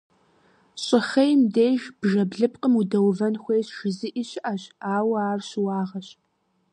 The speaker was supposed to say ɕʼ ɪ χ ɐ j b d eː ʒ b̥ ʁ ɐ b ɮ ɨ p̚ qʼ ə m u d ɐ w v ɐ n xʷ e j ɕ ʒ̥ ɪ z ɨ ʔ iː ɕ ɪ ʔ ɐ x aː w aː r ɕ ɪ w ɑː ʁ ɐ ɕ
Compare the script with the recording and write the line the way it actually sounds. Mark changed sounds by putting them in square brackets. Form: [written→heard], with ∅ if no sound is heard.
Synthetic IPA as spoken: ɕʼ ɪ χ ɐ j [b→m] d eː ʒ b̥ [ʁ→ʒ] ɐ b ɮ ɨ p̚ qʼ ə m u d ɐ w v ɐ n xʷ e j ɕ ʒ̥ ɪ z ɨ ʔ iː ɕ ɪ ʔ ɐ [x→ɕ] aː w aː r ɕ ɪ w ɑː ʁ ɐ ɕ

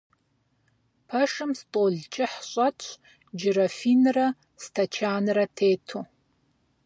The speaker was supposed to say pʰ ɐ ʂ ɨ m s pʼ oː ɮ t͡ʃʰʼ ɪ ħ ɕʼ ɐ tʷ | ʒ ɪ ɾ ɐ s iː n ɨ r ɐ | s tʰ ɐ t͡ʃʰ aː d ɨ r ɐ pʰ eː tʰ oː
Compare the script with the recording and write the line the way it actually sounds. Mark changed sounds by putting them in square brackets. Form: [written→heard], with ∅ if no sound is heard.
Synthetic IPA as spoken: pʰ ɐ ʂ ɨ m s [pʼ→tʼ] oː ɮ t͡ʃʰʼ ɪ ħ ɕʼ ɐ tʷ | [ʒ→d͡ʒ] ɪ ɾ ɐ [s→f] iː n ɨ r ɐ | s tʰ ɐ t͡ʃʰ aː [d→n] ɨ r ɐ [pʰ→tʰ] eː tʰ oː

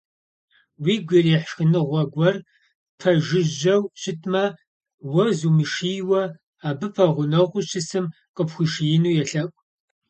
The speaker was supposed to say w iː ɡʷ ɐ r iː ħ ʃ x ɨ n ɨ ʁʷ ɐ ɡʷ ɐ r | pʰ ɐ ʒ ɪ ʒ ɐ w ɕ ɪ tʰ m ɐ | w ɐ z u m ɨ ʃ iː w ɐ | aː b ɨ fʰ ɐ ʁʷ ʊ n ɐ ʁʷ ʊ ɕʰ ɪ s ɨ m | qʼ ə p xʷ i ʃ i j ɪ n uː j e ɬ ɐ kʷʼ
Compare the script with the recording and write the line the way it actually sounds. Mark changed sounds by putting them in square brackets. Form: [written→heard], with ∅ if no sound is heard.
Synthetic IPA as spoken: w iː ɡʷ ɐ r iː ħ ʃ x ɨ n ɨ ʁʷ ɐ ɡʷ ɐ r | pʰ ɐ ʒ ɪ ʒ ɐ w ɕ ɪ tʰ m ɐ | w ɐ z u m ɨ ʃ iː w ɐ | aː b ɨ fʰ ɐ ʁʷ ʊ n ɐ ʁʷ ʊ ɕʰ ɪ s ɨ m | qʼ ə p xʷ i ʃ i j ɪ n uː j [e→ɛ] ɬ ɐ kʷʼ

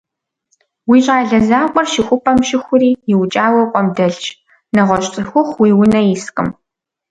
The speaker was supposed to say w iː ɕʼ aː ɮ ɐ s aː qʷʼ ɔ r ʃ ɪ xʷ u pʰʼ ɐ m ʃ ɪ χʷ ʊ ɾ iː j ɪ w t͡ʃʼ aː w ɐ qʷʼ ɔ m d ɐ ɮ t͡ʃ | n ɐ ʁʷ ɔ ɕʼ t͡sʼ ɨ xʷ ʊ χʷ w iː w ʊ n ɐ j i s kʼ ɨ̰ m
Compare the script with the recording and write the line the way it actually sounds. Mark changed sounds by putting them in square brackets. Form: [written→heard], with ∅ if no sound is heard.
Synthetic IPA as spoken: w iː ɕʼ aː ɮ ɐ [s→z] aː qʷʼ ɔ r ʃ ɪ xʷ [u→ʊ] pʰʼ ɐ m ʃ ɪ [χʷ→xʷ] ʊ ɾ iː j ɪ w t͡ʃʼ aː w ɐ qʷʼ ɔ m d ɐ ɮ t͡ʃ | n ɐ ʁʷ ɔ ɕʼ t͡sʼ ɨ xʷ ʊ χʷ w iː w ʊ n ɐ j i s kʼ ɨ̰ m

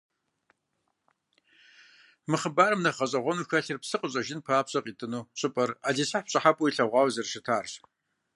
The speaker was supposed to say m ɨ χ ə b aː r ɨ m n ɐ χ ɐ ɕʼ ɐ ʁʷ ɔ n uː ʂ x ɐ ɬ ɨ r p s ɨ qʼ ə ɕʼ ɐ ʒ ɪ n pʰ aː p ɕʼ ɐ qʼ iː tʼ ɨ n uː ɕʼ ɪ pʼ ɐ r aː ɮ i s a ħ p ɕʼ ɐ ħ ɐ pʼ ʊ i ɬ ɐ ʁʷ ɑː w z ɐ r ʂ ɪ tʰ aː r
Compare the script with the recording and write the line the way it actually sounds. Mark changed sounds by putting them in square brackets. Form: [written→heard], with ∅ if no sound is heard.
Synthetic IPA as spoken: m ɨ χ ə b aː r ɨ m n ɐ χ ɐ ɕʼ ɐ ʁʷ ɔ n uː [ʂ→∅] x ɐ ɬ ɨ r p s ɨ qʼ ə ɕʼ ɐ ʒ ɪ n pʰ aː p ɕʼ ɐ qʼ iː tʼ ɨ n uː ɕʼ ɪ pʼ ɐ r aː ɮ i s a ħ p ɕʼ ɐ ħ [ɐ→a] pʼ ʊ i ɬ ɐ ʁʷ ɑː w z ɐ r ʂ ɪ tʰ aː r

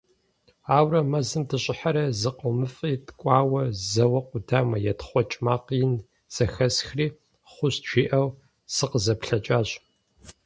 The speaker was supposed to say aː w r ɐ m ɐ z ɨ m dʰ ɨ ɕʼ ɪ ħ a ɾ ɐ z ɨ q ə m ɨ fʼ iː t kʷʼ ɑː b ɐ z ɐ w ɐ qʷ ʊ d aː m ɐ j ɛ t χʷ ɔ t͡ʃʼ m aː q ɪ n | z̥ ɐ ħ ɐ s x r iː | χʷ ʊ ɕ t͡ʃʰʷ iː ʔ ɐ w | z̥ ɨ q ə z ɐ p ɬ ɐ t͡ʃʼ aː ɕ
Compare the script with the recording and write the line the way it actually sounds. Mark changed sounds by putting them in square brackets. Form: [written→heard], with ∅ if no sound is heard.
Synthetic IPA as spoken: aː w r ɐ m ɐ z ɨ m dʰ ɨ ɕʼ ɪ ħ a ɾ ɐ z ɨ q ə m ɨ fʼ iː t kʷʼ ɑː [b→w] ɐ z ɐ w ɐ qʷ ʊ d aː m ɐ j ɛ t χʷ ɔ t͡ʃʼ m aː q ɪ n | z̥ ɐ [ħ→x] ɐ s x r iː | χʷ ʊ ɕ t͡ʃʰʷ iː ʔ ɐ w | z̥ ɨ q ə z ɐ p ɬ ɐ t͡ʃʼ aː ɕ

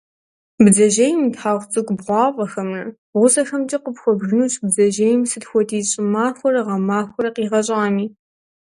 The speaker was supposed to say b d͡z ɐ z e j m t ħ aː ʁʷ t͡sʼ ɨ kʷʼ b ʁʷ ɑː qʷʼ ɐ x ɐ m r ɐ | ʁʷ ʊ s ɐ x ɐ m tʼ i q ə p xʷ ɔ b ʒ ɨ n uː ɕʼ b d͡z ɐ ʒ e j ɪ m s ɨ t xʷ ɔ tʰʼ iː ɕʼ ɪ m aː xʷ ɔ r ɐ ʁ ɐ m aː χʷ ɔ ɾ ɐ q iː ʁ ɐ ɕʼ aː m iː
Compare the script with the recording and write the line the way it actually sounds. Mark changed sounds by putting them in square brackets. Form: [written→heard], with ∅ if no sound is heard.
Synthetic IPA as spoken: b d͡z ɐ [z→ʒ] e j m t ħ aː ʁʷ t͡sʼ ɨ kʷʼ b ʁʷ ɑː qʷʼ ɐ x ɐ m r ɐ | ʁʷ ʊ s ɐ x ɐ m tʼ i q ə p xʷ ɔ b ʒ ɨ n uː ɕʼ b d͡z ɐ ʒ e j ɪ m s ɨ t xʷ ɔ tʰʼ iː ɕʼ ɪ m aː xʷ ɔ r ɐ ʁ ɐ m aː [χʷ→xʷ] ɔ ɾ ɐ q iː ʁ ɐ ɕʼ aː m iː

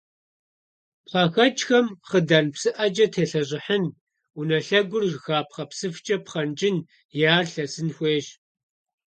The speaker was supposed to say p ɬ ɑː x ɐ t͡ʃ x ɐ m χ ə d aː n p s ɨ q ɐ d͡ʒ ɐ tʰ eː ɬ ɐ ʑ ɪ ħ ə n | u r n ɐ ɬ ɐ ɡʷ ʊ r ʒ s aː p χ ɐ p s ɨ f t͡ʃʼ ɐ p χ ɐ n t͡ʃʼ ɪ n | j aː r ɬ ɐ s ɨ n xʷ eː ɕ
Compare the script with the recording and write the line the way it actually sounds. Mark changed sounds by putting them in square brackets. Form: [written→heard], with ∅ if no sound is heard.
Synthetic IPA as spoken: p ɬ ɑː x ɐ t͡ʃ x ɐ m χ ə d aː n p s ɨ [q→ʔ] ɐ d͡ʒ ɐ tʰ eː ɬ ɐ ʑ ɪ ħ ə n | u [r→∅] n ɐ ɬ ɐ ɡʷ ʊ r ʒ [s→x] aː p χ ɐ p s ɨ f t͡ʃʼ ɐ p χ ɐ n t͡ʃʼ ɪ n | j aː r ɬ ɐ s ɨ n xʷ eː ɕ

